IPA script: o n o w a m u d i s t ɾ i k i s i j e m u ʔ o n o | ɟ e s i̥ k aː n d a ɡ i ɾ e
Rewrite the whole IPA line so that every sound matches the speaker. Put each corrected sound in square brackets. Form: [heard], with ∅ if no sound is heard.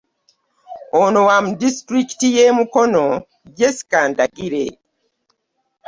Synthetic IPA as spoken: o n o w a m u d i s t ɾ i k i [t] i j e m u [k] o n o | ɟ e s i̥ k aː n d a ɡ i ɾ e